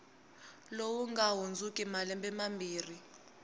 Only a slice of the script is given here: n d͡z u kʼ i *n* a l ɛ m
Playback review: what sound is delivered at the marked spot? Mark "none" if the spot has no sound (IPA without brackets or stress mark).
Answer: m